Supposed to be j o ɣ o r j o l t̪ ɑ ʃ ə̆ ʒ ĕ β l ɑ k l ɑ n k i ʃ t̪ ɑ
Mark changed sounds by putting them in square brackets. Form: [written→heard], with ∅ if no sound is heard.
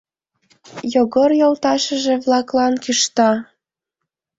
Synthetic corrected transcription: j o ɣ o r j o l t̪ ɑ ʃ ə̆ ʒ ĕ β l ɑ k l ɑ n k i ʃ t̪ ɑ